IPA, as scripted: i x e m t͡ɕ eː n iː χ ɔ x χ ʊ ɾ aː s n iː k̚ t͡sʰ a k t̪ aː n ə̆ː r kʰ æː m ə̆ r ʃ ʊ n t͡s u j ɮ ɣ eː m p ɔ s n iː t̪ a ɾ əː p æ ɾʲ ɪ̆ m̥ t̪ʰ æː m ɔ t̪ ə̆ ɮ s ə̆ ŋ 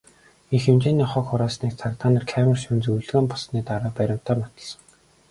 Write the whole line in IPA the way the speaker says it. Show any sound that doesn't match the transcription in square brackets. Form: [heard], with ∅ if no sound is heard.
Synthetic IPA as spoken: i x e m t͡ɕ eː n iː χ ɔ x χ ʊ ɾ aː s n iː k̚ t͡sʰ a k t̪ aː n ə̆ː r kʰ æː m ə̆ r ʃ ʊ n t͡s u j ɮ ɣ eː m p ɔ s n iː t̪ a ɾ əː p æ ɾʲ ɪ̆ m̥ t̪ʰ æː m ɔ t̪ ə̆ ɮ s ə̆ ŋ